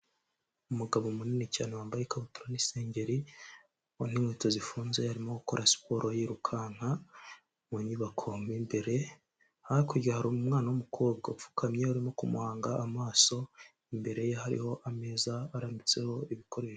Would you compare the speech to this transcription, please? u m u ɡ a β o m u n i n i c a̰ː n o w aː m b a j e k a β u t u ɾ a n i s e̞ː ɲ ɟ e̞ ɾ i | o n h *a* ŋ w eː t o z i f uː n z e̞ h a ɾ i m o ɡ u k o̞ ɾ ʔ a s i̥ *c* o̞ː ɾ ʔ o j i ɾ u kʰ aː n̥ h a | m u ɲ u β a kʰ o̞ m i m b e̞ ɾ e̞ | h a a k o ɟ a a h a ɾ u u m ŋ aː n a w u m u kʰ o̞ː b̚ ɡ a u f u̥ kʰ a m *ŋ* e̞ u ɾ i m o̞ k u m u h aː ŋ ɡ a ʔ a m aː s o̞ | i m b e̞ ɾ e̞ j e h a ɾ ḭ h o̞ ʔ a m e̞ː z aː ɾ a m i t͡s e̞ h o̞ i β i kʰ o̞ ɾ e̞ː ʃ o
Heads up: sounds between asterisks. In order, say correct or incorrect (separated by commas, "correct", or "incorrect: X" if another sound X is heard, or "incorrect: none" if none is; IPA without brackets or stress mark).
incorrect: i, incorrect: p, incorrect: ɲ